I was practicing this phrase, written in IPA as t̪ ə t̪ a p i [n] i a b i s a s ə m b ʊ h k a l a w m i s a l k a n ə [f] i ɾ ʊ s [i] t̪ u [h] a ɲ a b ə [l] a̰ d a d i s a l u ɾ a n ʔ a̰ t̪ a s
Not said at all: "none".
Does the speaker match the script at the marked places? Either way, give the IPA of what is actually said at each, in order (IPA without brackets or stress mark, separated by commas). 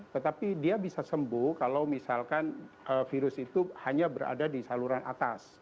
d, f, i, h, ɾ